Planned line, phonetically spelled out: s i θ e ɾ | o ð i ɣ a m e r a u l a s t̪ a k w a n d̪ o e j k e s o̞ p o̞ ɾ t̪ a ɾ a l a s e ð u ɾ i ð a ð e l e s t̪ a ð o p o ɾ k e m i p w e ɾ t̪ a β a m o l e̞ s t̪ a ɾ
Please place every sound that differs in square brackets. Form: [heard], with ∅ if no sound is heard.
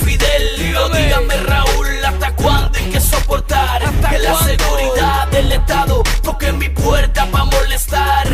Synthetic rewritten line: [f] i [ð] e [l] | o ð i ɣ a m e r a u l a s t̪ a k w a n d̪ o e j k e s o̞ p o̞ ɾ t̪ a ɾ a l a s e [ɣ] u ɾ i ð a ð e l e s t̪ a ð o p o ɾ k e m i p w e ɾ t̪ a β a m o l e̞ s t̪ a ɾ